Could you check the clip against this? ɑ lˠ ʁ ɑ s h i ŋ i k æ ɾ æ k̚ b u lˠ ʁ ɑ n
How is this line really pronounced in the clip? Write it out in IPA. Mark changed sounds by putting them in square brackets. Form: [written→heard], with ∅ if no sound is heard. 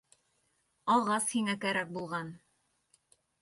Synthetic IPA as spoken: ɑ lˠ ʁ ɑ s h i ŋ [i→æ] k æ ɾ æ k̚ b u lˠ ʁ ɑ n